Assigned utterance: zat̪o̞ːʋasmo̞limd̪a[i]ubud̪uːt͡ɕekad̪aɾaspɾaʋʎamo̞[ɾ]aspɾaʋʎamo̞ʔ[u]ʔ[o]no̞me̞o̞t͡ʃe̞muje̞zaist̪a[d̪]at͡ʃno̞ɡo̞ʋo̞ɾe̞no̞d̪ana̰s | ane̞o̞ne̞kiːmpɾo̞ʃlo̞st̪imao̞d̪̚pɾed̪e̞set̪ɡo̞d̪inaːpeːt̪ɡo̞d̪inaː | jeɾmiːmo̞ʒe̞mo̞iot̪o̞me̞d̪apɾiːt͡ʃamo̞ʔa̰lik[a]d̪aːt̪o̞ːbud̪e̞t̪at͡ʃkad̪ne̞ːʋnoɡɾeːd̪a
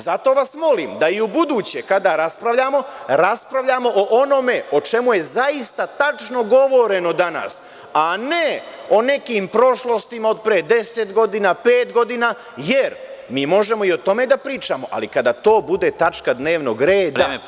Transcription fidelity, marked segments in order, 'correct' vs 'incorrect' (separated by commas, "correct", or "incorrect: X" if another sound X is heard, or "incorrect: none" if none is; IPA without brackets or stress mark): correct, correct, incorrect: o, correct, incorrect: t̪, correct